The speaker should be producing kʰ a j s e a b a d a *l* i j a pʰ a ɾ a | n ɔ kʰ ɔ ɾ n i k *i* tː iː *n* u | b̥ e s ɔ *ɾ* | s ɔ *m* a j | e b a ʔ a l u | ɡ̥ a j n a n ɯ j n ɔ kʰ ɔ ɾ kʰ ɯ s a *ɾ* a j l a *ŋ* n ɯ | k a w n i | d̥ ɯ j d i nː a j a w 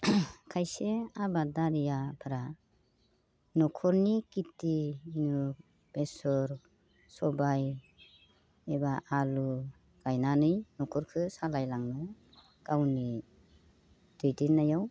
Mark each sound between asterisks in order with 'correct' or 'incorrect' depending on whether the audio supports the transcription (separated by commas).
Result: incorrect, correct, correct, correct, incorrect, incorrect, correct